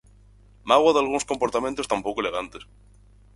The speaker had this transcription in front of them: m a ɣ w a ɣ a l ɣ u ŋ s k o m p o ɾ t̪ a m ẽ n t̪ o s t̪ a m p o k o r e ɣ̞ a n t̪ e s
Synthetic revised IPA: m a ɣ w a ð a l ɣ u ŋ s k o m p o ɾ t̪ a m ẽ n t̪ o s t̪ a m p o k o l e ɣ̞ a n t̪ e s

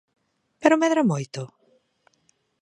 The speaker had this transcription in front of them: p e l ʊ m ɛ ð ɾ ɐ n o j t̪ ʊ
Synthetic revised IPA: p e ɾ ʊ m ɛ ð ɾ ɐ m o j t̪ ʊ

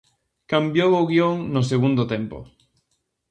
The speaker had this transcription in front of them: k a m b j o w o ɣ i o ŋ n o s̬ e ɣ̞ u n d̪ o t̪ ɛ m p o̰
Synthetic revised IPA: k a m b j o w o ɣ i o ŋ n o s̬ e ɣ̞ u n d̪ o t̪ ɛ m p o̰

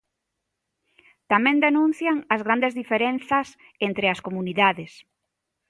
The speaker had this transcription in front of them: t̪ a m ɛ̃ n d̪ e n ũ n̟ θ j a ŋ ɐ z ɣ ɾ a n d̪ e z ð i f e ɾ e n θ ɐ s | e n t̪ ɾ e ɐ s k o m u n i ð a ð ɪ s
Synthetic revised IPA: t̪ a m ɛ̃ n d̪ e n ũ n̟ θ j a ŋ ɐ z ɣ ɾ a n d̪ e z ð i f e ɾ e n θ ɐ s | e n t̪ ɾ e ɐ s k o m u n i ð a ð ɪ s

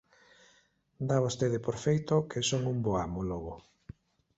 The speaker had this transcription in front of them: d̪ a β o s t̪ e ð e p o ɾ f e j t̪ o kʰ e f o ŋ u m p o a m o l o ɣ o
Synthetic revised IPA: d̪ a β o s t̪ e ð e p o ɾ f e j t̪ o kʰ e s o ŋ u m b o a m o l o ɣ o

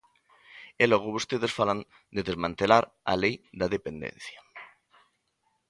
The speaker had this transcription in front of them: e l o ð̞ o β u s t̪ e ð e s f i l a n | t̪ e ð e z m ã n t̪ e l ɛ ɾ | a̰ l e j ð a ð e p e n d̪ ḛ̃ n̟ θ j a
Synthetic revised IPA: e l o ɣ̞ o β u s t̪ e ð e s f a l a n | d̪ e ð e z m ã n t̪ e l a ɾ | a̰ l e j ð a ð e p e n d̪ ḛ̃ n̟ θ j a

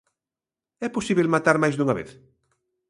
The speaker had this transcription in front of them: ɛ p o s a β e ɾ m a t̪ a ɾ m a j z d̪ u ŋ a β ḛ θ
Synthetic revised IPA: ɛ p o s i β e l m a t̪ a ɾ m a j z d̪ u ŋ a β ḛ θ

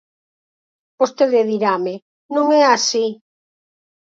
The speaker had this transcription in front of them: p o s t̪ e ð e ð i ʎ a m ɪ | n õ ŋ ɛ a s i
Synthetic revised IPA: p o s t̪ e ð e ð i ɾ a m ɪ | n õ ŋ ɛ a s i

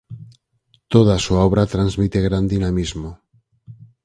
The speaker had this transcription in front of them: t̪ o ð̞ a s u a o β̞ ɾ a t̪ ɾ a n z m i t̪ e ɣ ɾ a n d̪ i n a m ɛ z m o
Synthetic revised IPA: t̪ o ð̞ a s u a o β̞ ɾ a t̪ ɾ a n z m i t̪ e ɣ ɾ a n d̪ i n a m i z m o

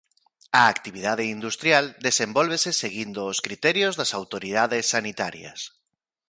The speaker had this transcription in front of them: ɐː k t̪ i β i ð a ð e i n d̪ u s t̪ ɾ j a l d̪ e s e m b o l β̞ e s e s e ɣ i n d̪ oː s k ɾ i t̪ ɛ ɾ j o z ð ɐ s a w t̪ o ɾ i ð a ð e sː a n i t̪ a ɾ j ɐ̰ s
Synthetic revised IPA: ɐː k t̪ i β i ð a ð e i n d̪ u s t̪ ɾ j a l d̪ e s e m b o l β̞ e s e s e ɣ i n d̪ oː s k ɾ i t̪ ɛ ɾ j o z ð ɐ s a w t̪ o ɾ i ð a ð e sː a n i t̪ a ɾ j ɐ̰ s

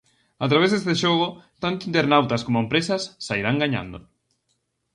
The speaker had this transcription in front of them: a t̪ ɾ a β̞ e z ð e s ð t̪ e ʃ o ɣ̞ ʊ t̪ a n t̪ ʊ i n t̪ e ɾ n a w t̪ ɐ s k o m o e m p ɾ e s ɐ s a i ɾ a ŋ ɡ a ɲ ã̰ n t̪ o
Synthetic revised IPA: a t̪ ɾ a β̞ e z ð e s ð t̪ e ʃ o ɣ̞ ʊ t̪ a n t̪ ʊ i n t̪ e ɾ n a w t̪ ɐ s k o m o e m p ɾ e s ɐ sː a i ɾ a ŋ ɡ a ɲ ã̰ n d̪ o

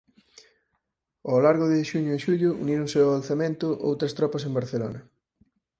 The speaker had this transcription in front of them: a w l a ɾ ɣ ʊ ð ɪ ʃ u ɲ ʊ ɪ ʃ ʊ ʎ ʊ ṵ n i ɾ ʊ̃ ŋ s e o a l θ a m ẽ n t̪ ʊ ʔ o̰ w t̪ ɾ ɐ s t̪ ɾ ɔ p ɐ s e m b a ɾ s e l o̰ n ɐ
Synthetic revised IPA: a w l a ɾ ɣ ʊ ð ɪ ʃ u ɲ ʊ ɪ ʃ u ʎ ʊ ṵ n i ɾ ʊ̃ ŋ s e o a l θ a m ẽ n t̪ ʊ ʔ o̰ w t̪ ɾ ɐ s t̪ ɾ ɔ p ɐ s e m b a ɾ θ e l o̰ n ɐ

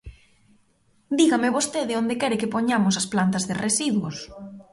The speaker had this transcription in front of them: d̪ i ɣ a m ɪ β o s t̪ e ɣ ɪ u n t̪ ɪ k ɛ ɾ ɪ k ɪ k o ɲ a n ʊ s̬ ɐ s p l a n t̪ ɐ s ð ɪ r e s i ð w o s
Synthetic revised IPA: d̪ i ɣ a m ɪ β o s t̪ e ð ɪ o n d̪ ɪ k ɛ ɾ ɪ k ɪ p o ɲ a m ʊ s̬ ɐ s p l a n t̪ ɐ z ð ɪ r e s i ð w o s

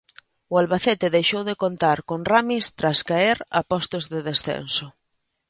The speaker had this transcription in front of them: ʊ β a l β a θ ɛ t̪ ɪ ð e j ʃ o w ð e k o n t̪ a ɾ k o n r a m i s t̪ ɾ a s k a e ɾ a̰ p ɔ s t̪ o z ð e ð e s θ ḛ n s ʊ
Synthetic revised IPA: ʊ a l β a θ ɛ t̪ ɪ ð e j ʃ o w ð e k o n t̪ a ɾ k o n r a m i s t̪ ɾ a s k a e ɾ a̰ p ɔ s t̪ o z ð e ð e s θ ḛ n s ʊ

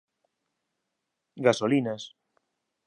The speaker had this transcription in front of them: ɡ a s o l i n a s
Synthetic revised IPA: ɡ a s o l i n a s

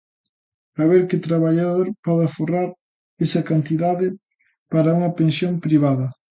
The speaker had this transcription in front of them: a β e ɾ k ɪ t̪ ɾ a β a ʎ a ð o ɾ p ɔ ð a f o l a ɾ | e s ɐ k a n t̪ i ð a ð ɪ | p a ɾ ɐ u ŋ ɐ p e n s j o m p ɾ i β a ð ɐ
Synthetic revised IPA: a β e ɾ k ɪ t̪ ɾ a β a ʎ a ð o ɾ p ɔ ð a f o r a ɾ | e s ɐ k a n t̪ i ð a ð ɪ | p a ɾ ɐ u ŋ ɐ p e n s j o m p ɾ i β a ð ɐ

